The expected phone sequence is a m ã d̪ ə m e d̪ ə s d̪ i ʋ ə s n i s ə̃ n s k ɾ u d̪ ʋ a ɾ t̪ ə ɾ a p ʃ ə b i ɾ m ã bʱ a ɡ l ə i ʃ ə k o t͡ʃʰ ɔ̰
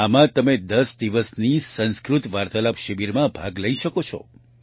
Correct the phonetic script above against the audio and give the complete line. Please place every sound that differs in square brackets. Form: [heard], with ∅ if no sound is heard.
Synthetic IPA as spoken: a m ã [t̪] ə m e d̪ ə s d̪ i ʋ ə s n i s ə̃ n s k ɾ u [t̪] ʋ a ɾ t̪ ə [l] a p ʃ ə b i ɾ m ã bʱ a ɡ l ə i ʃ ə k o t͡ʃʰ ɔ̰